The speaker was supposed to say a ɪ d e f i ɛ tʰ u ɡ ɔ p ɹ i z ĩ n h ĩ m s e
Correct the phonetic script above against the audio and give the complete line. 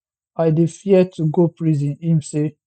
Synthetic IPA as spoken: a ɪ d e f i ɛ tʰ u ɡ o p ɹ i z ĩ n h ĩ m s e